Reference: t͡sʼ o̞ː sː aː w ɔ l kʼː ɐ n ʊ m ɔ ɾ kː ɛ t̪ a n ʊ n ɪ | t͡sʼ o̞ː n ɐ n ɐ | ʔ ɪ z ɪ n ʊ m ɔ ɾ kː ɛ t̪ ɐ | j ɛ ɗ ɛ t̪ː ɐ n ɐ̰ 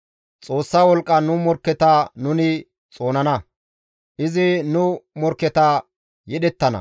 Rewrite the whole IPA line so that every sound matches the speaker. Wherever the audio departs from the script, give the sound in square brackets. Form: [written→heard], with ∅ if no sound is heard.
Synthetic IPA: t͡sʼ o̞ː sː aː w ɔ l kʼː ɐ n ʊ m ɔ ɾ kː ɛ t̪ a n ʊ n ɪ | t͡sʼ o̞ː n ɐ n ɐ | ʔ ɪ z ɪ n ʊ m ɔ ɾ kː ɛ t̪ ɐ | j ɛ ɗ ɛ t̪ː ɐ n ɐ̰